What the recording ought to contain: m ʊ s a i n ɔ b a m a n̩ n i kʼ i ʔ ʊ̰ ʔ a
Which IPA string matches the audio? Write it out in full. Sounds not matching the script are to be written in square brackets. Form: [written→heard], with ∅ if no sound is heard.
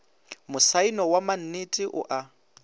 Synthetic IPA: m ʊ s a i n ɔ [b→w] a m a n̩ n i [kʼ→tʼ] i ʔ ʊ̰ ʔ a